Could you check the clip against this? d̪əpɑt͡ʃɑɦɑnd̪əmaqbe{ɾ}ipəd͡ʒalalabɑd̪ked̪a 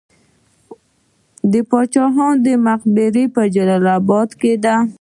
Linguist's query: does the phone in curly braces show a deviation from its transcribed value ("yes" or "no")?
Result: no